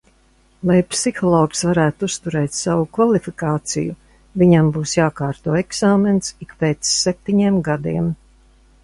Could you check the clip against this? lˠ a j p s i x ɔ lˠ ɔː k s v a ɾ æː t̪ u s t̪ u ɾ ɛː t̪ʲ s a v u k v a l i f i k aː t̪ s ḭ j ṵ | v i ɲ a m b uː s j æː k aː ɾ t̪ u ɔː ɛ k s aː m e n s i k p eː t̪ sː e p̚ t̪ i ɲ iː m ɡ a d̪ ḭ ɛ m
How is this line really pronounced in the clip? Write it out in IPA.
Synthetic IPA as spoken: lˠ a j p s i x ɔ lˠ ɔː k s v a ɾ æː t̪ u s t̪ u ɾ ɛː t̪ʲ s a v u k v a l i f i k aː t̪ s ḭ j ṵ | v i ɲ a m b uː s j aː k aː ɾ t̪ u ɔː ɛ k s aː m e n s i k p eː t̪ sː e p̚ t̪ i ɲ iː m ɡ a d̪ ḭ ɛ m